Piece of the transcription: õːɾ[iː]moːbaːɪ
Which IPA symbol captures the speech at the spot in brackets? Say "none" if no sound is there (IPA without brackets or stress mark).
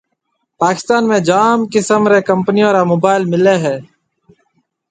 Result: aː